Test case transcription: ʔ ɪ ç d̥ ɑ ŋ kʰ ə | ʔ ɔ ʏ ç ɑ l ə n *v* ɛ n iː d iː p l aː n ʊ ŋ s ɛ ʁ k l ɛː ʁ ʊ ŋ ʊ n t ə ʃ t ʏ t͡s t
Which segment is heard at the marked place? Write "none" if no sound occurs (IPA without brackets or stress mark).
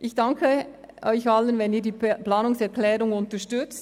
v